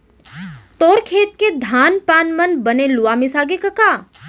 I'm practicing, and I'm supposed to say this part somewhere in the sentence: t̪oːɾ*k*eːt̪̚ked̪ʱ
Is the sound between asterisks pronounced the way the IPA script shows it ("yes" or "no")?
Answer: no